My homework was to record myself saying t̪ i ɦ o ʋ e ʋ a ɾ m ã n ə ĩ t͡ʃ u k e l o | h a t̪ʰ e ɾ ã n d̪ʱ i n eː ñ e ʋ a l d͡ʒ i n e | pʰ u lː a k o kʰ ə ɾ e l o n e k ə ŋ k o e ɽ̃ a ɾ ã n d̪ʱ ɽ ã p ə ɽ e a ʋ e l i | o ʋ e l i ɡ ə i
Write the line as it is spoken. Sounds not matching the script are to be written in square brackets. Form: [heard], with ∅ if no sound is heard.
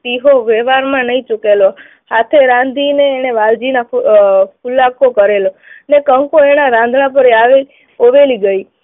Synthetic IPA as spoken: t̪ i ɦ o ʋ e ʋ a ɾ m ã n ə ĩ t͡ʃ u k e l o | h a t̪ʰ e ɾ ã n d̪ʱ i n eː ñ e ʋ a l d͡ʒ i n [a] | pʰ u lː a k o [k] ə ɾ e l o n e k ə ŋ k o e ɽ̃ a ɾ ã n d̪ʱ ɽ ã p ə [ɾ] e a ʋ e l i | o ʋ e l i ɡ ə i